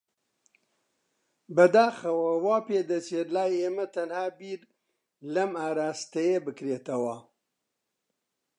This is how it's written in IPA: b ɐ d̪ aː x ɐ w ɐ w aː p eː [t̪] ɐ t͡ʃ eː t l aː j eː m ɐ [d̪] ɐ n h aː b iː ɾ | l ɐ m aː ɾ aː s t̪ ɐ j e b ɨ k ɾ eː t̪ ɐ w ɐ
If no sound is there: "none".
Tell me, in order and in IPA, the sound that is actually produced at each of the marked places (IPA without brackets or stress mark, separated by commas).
d̪, t̪